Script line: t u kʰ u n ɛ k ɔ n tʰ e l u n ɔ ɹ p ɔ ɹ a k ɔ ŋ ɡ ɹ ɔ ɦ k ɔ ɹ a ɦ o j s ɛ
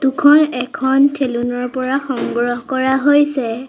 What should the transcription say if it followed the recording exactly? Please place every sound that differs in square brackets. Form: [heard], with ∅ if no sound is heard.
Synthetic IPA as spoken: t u kʰ [ɔ] n ɛ [kʰ] ɔ n tʰ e l u n ɔ ɹ p ɔ ɹ a [x] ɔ ŋ ɡ ɹ ɔ ɦ k ɔ ɹ a ɦ o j s ɛ